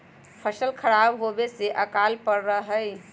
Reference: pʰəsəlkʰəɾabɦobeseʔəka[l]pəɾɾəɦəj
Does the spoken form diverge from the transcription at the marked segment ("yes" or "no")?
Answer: no